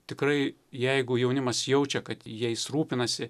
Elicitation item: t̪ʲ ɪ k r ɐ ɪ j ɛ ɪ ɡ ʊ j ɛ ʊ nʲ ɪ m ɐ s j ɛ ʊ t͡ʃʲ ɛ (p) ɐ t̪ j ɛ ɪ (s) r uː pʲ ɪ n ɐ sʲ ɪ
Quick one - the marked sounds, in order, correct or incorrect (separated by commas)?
incorrect, correct